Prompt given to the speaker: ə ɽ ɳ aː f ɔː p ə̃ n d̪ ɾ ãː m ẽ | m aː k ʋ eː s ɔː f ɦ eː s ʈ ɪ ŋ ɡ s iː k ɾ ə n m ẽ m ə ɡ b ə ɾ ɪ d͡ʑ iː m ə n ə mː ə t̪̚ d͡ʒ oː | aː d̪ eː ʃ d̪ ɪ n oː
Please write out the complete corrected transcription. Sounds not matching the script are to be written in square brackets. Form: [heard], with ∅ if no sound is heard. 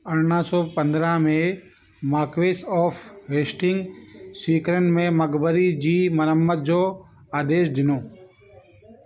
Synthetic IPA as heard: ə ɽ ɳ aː [s] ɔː p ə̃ n d̪ ɾ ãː m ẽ | m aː k ʋ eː s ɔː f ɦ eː s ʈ ɪ ŋ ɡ s iː k ɾ ə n m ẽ m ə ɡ b ə ɾ [i] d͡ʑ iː m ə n ə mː ə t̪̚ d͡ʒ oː | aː d̪ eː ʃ d̪ ɪ n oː